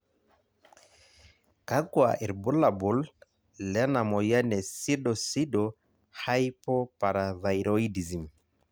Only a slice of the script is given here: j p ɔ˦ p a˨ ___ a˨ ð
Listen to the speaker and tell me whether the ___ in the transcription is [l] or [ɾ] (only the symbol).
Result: ɾ